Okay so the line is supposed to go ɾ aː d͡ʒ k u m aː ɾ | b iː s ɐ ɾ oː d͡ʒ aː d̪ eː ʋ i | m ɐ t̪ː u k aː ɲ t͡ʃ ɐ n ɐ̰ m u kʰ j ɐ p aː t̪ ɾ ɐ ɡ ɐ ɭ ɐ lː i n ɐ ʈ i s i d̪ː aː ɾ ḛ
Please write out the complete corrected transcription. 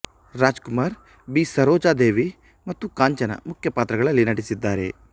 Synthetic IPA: ɾ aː d͡ʒ k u m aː ɾ | b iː s ɐ ɾ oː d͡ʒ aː d̪ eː ʋ i | m ɐ t̪ː u k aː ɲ t͡ʃ ɐ n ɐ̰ m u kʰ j ɐ p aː t̪ ɾ ɐ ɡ ɐ ɭ ɐ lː i n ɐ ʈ i s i d̪ː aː ɾ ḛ